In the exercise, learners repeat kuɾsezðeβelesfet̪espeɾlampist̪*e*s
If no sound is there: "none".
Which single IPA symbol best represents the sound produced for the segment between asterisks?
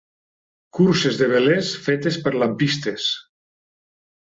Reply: e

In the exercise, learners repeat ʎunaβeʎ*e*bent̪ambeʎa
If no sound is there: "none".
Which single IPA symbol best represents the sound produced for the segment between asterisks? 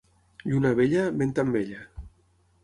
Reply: a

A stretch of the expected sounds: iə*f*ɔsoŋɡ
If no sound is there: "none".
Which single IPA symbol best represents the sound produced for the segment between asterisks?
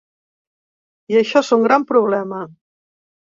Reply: ʃ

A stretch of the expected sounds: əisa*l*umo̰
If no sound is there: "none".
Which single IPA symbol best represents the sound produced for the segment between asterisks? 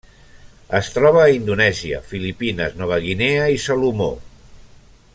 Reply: l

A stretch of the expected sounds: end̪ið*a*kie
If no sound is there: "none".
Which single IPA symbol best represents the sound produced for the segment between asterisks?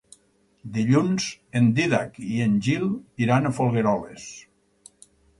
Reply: a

